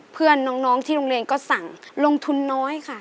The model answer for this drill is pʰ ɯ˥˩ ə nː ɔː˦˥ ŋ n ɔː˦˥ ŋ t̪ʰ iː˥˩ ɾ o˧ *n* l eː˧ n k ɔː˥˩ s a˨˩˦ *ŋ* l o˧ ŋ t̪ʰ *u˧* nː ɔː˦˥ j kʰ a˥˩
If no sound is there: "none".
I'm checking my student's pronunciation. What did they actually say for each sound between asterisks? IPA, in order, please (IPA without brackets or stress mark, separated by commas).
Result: ŋ, ŋ, u˧